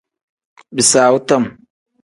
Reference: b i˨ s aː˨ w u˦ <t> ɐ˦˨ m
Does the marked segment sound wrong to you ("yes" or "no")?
no